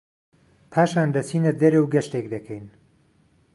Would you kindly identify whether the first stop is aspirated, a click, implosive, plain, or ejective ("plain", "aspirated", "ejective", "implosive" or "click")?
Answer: aspirated